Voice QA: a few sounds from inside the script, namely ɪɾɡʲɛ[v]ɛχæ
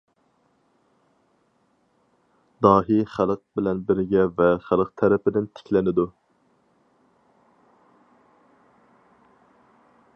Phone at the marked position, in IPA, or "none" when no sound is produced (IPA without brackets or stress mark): v